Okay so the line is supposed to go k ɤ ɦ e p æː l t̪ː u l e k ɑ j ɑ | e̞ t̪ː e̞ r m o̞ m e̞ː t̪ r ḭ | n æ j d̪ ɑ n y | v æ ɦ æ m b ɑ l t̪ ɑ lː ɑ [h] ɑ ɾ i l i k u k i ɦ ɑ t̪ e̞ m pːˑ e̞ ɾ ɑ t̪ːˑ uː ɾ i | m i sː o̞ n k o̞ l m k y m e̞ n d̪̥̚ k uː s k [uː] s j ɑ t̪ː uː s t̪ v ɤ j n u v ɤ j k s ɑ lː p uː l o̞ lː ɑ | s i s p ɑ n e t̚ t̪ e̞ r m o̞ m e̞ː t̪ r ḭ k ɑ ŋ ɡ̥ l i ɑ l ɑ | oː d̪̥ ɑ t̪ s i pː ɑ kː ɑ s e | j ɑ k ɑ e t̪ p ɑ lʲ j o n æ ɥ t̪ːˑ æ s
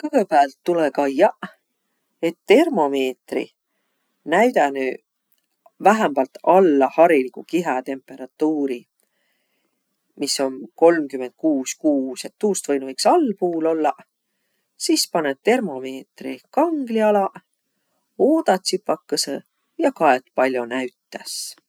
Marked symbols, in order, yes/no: yes, yes

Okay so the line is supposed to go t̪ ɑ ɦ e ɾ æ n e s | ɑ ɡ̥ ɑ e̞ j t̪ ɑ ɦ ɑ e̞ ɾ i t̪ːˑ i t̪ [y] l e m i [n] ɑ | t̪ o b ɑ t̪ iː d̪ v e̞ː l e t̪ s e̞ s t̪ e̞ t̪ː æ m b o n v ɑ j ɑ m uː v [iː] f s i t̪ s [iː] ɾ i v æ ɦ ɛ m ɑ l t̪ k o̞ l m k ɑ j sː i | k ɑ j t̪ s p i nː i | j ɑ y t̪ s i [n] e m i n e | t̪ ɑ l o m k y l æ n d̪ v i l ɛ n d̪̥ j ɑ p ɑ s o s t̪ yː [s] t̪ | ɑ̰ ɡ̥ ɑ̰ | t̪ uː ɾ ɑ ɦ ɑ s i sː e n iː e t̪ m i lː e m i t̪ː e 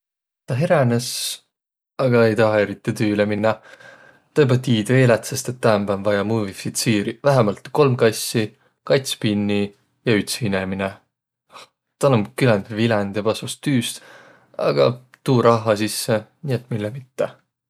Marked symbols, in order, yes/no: no, no, no, yes, yes, yes

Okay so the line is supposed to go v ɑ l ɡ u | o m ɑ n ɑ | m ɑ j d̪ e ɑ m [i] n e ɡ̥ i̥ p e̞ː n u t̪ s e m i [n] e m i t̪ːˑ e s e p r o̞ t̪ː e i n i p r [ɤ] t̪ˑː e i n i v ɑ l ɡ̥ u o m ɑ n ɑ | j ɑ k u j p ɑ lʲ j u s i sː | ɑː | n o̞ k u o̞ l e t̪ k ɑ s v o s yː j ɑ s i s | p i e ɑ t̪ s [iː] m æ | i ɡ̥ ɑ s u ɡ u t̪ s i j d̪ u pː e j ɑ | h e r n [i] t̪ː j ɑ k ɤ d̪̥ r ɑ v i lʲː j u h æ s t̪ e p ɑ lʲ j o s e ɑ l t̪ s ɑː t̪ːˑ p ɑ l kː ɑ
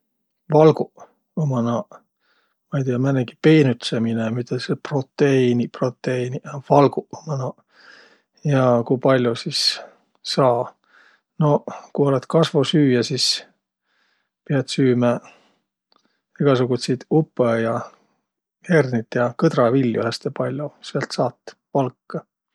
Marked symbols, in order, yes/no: no, yes, no, no, yes

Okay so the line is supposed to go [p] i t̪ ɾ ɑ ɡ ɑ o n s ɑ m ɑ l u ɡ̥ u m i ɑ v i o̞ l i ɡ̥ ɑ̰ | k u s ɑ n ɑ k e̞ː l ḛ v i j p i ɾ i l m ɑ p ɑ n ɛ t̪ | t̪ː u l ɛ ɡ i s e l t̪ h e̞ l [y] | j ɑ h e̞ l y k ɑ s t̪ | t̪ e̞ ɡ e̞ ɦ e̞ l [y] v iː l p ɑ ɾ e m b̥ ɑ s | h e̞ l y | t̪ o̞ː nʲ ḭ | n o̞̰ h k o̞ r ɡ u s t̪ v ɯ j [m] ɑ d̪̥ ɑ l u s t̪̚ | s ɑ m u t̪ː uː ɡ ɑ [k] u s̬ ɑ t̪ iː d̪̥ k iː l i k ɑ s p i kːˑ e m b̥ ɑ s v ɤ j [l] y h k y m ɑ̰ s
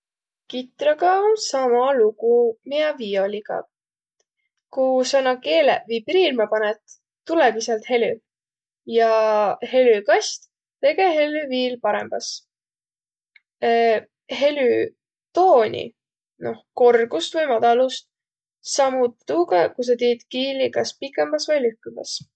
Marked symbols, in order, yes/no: no, yes, yes, yes, yes, yes

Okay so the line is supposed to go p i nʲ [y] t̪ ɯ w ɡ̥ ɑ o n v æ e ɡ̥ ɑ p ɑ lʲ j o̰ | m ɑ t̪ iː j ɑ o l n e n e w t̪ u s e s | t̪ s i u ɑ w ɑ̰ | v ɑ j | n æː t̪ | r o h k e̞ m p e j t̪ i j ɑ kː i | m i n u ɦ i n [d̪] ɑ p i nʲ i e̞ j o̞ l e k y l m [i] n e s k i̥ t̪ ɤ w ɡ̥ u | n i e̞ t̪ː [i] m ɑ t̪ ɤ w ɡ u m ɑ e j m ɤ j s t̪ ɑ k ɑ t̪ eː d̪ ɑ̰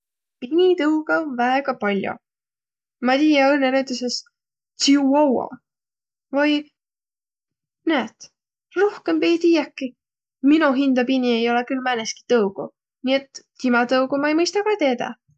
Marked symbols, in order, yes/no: no, yes, no, yes

